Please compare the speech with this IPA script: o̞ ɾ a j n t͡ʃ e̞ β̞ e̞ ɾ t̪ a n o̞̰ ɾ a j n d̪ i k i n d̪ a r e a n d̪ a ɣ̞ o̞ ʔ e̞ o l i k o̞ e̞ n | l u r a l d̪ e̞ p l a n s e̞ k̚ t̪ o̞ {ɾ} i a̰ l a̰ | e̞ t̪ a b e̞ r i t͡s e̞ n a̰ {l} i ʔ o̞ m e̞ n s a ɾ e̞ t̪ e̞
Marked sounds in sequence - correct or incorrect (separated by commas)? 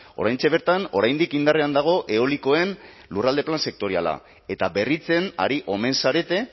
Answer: correct, incorrect